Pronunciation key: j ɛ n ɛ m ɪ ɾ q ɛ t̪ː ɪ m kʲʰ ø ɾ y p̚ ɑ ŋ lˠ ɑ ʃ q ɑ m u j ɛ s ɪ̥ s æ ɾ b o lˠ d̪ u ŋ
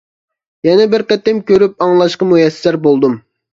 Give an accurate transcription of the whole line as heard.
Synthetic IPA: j ɛ n ɛ b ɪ ɾ q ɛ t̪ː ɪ m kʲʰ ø ɾ y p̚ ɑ ŋ lˠ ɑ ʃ q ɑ m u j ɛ s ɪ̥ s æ ɾ b o lˠ d̪ u m